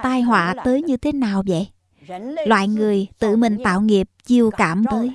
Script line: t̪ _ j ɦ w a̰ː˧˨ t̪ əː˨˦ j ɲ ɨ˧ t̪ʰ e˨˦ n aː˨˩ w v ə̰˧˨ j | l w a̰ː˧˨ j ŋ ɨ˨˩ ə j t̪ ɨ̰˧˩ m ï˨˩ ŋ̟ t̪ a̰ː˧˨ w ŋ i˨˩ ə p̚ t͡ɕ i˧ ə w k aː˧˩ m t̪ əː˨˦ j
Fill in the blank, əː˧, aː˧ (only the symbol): aː˧